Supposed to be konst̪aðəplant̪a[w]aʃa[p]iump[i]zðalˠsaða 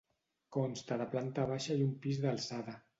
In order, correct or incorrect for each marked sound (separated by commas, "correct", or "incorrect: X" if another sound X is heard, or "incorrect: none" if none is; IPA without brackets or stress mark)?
incorrect: β, incorrect: none, correct